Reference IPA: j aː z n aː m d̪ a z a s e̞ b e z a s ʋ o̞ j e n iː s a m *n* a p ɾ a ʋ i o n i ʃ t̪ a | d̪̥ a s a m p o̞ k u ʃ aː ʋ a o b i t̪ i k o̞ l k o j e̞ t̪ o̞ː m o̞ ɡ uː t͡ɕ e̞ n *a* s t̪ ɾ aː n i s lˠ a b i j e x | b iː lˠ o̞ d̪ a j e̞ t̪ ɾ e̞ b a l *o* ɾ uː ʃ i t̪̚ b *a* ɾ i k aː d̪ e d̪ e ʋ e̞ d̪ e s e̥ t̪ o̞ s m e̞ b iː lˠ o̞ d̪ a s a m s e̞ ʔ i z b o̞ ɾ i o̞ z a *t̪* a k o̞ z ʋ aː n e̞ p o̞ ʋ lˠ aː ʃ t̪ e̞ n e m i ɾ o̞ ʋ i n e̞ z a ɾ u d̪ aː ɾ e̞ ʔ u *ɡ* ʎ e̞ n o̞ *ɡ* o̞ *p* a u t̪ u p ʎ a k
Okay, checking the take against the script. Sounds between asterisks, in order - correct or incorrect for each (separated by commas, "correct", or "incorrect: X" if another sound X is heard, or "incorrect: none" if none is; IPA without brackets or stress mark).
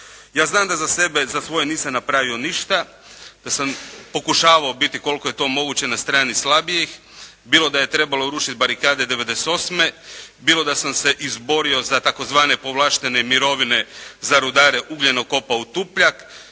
correct, correct, correct, correct, correct, correct, incorrect: k, correct